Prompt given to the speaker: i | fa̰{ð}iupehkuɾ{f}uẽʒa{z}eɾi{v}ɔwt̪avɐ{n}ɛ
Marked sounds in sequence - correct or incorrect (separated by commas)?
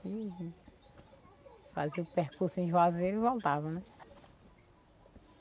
incorrect, incorrect, correct, correct, correct